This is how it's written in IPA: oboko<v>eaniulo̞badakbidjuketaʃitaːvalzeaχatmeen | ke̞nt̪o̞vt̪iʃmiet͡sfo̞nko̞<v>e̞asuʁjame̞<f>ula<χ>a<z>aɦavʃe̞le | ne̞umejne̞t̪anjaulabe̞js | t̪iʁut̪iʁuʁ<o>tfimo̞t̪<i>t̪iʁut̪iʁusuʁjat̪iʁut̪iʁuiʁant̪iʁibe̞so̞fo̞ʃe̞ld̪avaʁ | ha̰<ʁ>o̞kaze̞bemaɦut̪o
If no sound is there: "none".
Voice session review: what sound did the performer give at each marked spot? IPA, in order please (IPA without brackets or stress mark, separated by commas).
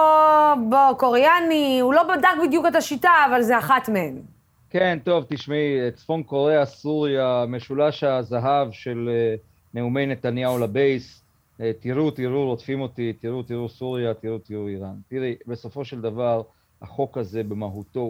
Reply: ʁ, ʁ, ʃ, ʃ, z, o, i, χ